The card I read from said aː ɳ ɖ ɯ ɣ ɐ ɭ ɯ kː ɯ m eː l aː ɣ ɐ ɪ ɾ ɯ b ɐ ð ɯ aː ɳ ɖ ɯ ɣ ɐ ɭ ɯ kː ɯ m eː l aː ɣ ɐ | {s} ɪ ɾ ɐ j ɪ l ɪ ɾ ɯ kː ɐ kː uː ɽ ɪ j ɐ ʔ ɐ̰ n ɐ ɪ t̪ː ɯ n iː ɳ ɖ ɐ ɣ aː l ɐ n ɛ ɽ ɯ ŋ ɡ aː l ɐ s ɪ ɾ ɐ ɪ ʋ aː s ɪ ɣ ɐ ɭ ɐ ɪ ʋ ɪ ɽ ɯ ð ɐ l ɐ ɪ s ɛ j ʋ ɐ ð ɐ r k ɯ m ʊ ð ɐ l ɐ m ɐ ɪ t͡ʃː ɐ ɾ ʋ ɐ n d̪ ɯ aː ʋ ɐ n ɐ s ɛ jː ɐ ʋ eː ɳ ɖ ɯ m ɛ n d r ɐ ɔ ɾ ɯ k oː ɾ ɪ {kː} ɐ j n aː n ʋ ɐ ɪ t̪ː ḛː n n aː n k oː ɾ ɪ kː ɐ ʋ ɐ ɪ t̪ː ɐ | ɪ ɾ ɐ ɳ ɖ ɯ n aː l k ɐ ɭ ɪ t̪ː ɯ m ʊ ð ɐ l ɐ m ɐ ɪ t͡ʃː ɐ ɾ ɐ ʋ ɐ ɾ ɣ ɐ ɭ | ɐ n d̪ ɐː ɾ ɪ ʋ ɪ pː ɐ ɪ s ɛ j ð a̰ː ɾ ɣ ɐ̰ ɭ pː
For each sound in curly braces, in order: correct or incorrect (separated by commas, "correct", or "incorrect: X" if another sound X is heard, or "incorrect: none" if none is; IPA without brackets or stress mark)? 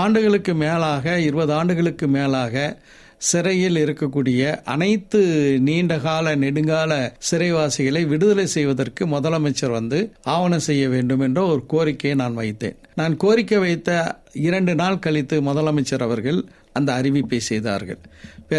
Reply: correct, correct